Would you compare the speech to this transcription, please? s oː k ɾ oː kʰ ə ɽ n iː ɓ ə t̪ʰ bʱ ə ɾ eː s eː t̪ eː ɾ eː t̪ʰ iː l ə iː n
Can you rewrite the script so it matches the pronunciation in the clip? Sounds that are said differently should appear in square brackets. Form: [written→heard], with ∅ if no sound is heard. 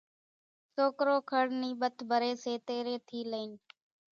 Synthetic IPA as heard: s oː k ɾ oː kʰ ə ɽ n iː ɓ ə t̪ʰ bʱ ə ɾ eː s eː t̪ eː ɾ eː t̪ʰ iː l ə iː n